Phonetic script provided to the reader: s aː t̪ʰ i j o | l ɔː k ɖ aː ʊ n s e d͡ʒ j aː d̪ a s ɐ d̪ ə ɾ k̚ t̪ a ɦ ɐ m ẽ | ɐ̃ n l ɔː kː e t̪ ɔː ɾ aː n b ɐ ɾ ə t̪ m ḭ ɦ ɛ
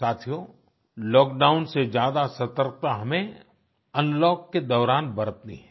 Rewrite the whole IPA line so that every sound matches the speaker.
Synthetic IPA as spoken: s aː t̪ʰ i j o | l ɔː k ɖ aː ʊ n s e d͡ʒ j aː d̪ a s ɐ t̪ ə ɾ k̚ t̪ a ɦ ɐ m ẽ | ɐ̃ n l ɔː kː e d̪ ɔː ɾ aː n b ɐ ɾ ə t̪ n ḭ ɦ ɛ